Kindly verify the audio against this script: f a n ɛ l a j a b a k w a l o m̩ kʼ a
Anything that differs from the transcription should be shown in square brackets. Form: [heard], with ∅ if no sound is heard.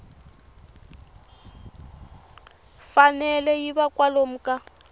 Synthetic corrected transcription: f a n ɛ l [ɛ] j [i] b a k w a l o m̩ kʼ a